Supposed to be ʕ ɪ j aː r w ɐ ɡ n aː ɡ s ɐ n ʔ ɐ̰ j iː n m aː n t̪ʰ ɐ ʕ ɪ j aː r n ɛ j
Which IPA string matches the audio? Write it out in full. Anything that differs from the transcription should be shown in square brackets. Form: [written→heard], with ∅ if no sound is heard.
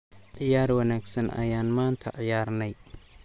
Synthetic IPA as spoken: ʕ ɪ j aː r w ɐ [ɡ→∅] n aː ɡ s ɐ n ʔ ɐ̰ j [iː→aː] n m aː n t̪ʰ ɐ ʕ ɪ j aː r n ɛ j